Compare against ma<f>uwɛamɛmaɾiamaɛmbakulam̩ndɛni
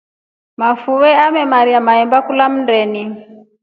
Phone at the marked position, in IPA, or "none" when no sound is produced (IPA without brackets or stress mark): f